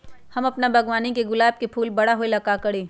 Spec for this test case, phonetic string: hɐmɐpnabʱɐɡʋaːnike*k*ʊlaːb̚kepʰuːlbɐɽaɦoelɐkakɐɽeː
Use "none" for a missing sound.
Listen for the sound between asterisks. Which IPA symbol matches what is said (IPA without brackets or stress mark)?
ɡ